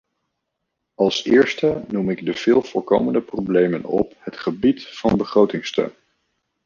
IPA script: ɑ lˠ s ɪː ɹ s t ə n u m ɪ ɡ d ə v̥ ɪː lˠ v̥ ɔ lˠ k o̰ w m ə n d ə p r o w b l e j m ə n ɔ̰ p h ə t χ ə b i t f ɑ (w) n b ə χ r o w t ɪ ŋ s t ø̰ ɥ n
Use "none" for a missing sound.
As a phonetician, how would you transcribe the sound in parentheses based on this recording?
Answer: none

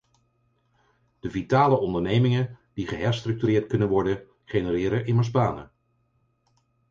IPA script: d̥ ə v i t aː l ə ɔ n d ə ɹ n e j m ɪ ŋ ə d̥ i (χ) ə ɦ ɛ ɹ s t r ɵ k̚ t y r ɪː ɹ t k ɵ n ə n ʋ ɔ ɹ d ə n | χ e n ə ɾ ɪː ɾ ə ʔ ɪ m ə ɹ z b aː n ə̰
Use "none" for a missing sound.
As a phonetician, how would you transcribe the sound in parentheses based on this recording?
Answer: χ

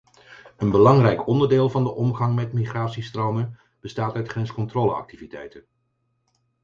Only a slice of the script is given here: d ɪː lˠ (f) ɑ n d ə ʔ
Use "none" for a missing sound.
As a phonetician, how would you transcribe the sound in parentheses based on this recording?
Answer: v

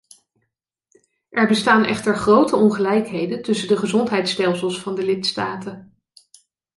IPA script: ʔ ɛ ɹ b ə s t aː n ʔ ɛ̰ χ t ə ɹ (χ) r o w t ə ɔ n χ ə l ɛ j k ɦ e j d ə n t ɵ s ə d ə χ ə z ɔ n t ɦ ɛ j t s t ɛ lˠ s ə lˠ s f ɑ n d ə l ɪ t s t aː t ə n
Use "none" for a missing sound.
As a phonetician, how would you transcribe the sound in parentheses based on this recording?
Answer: χ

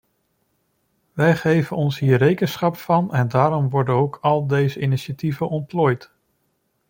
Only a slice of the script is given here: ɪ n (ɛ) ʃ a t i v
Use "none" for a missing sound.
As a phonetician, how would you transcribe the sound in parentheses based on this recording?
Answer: i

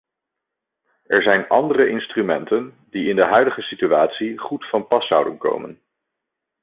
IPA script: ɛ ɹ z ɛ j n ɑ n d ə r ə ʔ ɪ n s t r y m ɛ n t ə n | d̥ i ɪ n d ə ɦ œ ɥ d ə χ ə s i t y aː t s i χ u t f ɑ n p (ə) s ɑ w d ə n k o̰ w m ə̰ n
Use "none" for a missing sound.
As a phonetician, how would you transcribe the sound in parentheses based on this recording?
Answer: ɑ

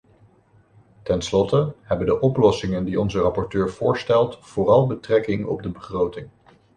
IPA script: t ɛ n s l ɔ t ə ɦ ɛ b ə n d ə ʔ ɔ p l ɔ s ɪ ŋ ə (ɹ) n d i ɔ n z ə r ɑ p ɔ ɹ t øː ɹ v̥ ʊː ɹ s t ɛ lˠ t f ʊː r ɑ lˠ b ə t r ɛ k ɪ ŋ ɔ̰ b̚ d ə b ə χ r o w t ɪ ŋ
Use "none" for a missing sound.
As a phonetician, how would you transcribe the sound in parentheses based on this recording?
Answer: none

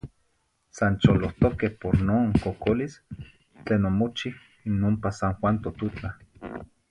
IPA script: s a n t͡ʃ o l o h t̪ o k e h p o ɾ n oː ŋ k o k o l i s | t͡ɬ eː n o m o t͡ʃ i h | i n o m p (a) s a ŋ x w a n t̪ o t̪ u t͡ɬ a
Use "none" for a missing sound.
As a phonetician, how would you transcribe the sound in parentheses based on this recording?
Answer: a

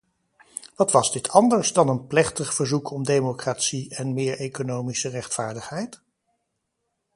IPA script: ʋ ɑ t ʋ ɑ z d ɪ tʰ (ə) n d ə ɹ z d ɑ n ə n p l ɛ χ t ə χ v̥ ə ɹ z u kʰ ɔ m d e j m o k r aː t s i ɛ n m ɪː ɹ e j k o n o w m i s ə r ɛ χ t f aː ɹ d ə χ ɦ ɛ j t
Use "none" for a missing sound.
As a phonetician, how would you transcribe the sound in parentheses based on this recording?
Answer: ɑ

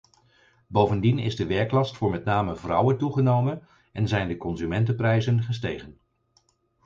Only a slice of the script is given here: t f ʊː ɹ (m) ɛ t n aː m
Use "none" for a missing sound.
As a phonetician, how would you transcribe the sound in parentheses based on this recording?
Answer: m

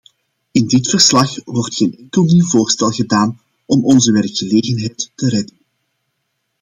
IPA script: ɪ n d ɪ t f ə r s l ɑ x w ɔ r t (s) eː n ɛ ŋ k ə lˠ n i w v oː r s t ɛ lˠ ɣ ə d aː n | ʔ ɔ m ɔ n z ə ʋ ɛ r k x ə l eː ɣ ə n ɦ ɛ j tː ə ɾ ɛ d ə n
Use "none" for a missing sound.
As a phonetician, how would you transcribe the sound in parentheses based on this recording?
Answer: x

